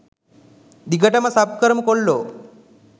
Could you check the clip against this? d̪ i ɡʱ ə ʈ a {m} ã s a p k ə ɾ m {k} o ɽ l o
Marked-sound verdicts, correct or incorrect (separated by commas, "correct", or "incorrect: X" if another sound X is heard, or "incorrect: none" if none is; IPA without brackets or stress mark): correct, correct